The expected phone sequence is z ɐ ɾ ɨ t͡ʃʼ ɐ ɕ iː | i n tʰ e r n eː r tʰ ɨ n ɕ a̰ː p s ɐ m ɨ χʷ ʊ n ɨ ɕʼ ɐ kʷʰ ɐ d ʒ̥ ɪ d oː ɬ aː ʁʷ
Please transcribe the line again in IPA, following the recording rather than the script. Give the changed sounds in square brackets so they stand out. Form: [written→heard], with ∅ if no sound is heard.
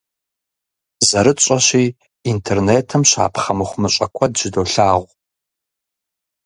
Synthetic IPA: z ɐ ɾ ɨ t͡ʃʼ ɐ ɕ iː | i n tʰ e r n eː [r→∅] tʰ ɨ [n→m] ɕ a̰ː p [s→χ] ɐ m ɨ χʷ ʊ [n→m] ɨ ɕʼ ɐ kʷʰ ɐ d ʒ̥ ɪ d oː ɬ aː ʁʷ